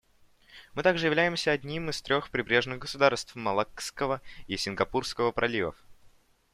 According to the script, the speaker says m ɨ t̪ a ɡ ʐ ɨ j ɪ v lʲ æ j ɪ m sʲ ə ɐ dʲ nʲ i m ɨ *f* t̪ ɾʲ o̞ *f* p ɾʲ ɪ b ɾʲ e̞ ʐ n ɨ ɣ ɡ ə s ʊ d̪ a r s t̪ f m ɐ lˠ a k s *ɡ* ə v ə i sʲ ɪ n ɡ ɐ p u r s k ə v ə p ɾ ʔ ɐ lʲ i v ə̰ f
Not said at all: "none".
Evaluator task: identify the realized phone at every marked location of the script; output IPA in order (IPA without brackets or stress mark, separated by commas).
s, x, k